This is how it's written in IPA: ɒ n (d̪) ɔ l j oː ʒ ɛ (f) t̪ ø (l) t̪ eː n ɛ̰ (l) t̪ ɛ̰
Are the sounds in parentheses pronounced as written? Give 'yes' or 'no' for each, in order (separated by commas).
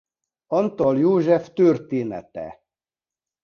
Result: no, yes, no, no